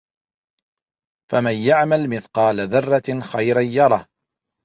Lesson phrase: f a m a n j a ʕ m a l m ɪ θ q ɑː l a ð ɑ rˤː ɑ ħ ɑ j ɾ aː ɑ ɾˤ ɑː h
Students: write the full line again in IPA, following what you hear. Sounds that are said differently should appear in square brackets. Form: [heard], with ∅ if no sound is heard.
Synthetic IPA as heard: f a m a n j a ʕ m a l m ɪ θ q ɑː l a ð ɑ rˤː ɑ [x] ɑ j ɾ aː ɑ ɾˤ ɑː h